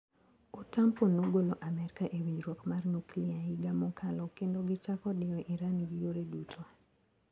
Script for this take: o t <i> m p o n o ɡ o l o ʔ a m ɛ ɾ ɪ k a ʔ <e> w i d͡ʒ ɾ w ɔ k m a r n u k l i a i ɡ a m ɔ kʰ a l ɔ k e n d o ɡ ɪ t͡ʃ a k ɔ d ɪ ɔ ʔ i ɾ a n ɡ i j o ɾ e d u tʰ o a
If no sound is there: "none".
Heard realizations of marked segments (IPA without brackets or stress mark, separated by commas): a, e